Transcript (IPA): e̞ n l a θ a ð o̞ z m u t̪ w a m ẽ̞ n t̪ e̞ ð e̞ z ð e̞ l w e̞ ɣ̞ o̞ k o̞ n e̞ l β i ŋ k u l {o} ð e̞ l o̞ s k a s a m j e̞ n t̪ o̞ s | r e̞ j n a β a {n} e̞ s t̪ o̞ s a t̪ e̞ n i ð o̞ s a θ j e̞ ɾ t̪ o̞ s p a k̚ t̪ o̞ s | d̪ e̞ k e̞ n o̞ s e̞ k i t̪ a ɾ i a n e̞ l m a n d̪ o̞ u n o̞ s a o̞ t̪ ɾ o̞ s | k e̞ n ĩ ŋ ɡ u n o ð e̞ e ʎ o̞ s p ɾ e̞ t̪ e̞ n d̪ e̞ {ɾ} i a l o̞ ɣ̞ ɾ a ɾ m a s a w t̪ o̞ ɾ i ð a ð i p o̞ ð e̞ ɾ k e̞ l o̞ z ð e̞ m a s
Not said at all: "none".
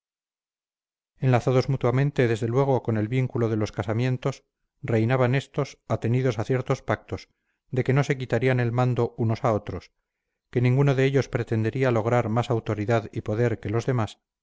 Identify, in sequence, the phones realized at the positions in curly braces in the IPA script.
o, n, ɾ

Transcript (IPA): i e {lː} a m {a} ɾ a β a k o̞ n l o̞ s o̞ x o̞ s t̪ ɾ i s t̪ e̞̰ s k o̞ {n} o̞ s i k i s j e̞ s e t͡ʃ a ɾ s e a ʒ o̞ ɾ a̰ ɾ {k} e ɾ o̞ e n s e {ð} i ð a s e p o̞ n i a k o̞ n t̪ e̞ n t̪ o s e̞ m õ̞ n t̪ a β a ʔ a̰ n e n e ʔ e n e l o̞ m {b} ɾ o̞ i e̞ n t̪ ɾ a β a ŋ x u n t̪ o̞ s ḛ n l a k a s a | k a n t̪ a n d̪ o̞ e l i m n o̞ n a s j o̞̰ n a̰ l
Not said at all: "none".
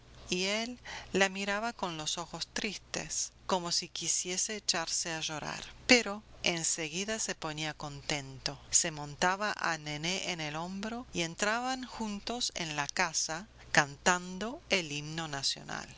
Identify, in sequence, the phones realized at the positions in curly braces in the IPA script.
lː, i, m, p, ɣ, b

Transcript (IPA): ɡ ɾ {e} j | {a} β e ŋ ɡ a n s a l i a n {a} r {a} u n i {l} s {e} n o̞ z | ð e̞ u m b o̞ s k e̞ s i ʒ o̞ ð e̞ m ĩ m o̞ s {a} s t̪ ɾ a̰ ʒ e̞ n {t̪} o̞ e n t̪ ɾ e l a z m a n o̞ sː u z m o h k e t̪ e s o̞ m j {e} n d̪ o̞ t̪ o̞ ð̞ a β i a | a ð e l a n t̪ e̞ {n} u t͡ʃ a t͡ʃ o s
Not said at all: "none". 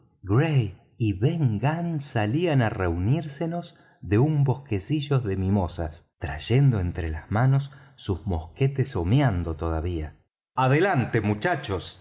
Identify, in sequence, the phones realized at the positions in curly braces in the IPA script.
e, i, a, e, ɾ, e, a, d̪, a, m

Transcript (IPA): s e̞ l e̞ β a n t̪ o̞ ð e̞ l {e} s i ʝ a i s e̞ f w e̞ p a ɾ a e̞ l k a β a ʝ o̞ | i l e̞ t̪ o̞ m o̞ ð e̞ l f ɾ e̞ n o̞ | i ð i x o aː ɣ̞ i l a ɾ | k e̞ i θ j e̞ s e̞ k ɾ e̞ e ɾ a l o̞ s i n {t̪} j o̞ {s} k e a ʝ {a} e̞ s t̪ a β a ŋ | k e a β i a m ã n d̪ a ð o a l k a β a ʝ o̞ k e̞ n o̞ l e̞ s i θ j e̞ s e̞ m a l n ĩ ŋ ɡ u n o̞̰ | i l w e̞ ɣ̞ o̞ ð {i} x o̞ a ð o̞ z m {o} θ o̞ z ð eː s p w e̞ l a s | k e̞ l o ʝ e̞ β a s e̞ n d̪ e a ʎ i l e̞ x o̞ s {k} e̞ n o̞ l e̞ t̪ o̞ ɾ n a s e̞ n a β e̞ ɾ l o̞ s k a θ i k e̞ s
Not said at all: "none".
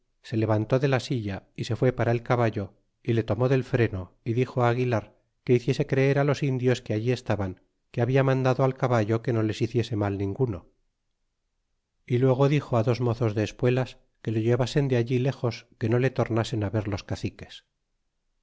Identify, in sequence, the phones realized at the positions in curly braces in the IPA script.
a, d̪, s, i, i, o, k

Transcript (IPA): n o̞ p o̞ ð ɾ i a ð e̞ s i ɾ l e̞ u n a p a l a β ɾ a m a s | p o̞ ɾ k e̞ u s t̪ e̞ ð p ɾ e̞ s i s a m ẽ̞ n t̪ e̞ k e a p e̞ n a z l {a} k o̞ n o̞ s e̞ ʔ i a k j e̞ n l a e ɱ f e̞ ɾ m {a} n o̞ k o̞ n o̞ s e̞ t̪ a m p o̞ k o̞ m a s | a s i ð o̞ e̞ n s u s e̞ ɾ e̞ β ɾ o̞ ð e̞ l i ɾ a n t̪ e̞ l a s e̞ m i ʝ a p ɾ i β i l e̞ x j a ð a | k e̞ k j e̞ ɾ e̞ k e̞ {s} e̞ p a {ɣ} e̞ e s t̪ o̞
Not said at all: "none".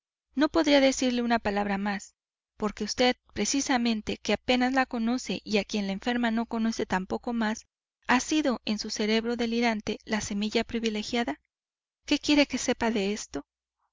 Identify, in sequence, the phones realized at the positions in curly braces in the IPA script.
a, a, s, ð

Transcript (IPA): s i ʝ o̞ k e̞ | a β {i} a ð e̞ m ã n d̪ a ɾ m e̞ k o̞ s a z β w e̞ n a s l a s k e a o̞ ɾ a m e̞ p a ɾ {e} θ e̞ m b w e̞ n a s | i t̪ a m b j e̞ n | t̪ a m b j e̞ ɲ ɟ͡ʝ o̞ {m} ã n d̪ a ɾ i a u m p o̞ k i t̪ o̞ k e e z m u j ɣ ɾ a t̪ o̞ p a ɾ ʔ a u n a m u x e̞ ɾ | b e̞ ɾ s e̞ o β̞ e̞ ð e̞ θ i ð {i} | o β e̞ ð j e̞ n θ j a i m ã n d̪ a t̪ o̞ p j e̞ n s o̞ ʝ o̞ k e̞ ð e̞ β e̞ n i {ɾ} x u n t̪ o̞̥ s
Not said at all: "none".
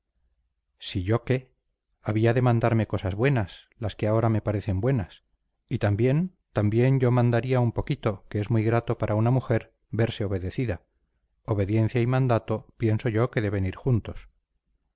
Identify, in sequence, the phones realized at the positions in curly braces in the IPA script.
i, e, m, a, ɾ

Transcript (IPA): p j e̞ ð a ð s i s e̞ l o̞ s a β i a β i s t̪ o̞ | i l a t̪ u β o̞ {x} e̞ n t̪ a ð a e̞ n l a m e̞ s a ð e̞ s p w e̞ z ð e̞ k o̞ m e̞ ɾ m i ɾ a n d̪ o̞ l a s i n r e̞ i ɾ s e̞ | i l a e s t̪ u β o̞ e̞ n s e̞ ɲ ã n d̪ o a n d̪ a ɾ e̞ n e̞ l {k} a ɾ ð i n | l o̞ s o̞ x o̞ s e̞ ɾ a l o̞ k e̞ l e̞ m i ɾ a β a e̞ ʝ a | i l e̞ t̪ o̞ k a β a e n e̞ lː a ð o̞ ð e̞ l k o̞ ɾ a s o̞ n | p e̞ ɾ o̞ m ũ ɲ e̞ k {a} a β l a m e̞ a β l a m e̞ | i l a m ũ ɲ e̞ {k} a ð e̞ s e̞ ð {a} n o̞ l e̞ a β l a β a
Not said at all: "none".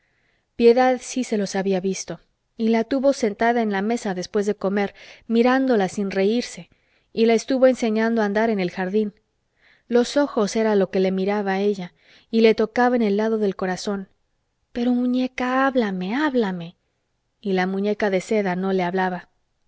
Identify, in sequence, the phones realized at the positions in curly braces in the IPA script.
s, x, a, k, a

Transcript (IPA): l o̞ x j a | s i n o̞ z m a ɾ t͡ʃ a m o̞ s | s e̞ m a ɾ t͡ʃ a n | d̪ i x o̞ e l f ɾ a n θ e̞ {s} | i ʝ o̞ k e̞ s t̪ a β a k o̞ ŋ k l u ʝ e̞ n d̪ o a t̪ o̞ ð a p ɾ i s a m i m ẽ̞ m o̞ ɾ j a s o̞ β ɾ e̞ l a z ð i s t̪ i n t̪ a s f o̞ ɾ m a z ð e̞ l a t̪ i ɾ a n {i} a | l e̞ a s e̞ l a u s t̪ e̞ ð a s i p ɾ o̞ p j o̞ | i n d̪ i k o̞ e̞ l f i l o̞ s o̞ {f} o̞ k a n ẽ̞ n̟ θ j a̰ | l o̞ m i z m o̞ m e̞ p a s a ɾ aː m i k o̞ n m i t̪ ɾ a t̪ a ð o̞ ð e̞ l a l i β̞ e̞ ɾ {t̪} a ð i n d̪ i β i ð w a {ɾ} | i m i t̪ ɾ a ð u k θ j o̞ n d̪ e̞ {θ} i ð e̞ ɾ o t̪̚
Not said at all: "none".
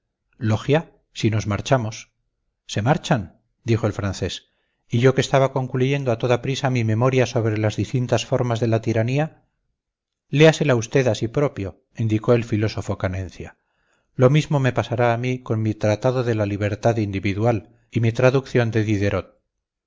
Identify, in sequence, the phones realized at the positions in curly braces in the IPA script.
s, i, f, t̪, l, ð

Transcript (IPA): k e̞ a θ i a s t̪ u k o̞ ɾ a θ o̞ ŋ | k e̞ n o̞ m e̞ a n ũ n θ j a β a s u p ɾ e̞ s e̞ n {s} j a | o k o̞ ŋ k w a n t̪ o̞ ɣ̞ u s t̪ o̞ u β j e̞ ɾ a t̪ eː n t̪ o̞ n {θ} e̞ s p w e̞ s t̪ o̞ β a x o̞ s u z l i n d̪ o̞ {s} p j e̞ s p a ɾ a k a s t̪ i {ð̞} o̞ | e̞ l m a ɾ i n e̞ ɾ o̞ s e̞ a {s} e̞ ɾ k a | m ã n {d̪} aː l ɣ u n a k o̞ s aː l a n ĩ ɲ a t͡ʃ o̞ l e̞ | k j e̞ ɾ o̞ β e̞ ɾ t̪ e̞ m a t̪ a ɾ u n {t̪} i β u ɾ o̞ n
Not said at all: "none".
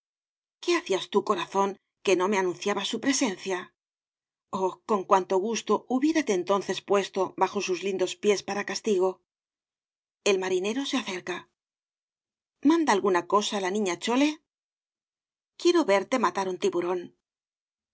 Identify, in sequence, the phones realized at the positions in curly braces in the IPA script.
θ, θ, s, ɣ̞, θ, d̪, t̪

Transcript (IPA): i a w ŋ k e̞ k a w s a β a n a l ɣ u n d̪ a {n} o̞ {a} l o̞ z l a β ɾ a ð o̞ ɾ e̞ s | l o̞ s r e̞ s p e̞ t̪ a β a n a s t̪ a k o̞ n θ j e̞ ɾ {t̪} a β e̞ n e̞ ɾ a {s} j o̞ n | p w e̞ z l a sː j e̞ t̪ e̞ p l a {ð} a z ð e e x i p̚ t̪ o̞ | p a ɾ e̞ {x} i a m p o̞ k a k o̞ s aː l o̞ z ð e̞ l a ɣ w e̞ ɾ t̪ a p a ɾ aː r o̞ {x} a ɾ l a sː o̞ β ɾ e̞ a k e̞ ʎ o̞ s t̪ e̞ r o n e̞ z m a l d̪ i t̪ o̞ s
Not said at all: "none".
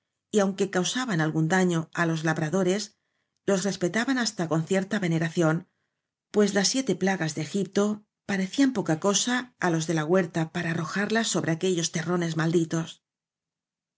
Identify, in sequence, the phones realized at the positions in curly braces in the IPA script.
ɲ, a, t̪, θ, ɣ, θ, x

